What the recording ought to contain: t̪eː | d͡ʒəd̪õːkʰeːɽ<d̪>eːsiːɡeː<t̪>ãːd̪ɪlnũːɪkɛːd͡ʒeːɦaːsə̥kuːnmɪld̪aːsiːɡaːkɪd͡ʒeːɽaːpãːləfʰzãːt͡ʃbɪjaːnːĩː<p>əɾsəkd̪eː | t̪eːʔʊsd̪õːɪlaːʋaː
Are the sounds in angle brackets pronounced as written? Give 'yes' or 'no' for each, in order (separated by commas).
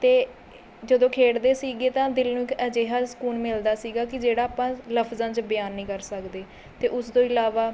yes, yes, no